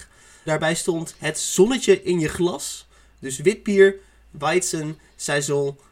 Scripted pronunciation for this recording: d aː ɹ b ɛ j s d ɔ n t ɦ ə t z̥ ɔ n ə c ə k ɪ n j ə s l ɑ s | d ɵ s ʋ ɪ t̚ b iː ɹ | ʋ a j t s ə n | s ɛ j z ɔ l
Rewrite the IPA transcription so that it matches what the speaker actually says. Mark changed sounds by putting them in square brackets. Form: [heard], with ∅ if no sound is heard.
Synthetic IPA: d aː ɹ b ɛ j s [t] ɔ n t ɦ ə t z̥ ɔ n ə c ə [ʔ] ɪ n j ə [χ] l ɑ s | d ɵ s ʋ ɪ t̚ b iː ɹ | ʋ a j t s ə n | s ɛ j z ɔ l